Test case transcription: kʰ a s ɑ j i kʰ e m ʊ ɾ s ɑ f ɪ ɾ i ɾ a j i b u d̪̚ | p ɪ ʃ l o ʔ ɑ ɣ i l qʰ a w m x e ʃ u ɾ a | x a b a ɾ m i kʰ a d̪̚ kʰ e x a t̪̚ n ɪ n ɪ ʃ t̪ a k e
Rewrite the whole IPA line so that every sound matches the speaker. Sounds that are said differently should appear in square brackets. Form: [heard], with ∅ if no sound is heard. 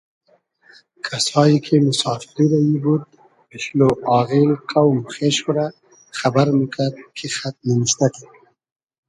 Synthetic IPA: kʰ a s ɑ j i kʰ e m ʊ [∅] s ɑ f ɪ ɾ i ɾ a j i b u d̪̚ | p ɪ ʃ l o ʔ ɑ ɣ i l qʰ a w m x e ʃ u ɾ a | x a b a ɾ m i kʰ a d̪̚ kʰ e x a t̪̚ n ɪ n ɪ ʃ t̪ a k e